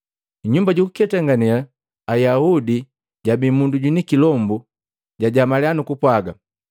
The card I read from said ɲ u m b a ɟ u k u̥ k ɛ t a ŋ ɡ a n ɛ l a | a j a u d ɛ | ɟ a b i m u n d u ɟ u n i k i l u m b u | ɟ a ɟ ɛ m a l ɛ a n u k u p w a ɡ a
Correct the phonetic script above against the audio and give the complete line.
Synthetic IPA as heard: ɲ u m b a ɟ u k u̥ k ɛ t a ŋ ɡ a n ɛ l a | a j a u d i | ɟ a b i m u n d u ɟ u n i k i l ɔ m b u | ɟ a ɟ a m a l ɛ a n u k u p w a ɡ a